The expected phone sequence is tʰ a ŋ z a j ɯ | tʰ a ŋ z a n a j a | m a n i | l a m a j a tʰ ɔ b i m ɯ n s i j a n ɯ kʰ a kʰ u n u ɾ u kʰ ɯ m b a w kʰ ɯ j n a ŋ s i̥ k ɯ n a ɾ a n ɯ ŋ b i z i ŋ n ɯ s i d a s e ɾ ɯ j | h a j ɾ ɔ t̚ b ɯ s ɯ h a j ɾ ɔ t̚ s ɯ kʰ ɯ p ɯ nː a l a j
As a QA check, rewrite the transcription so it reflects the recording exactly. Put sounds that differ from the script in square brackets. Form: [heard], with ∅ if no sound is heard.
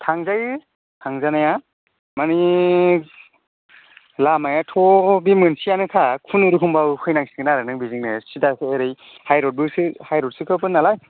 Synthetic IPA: tʰ a ŋ z a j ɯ | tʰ a ŋ z a n a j a | m a n i | l a m a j a tʰ ɔ b i m ɯ n s i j a n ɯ kʰ a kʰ u n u ɾ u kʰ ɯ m b a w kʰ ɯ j n a ŋ s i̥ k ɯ n a ɾ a n ɯ ŋ b i z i ŋ n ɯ s i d a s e ɾ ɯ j | h a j ɾ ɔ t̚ b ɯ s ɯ h a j ɾ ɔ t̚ s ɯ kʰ ɯ p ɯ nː a l a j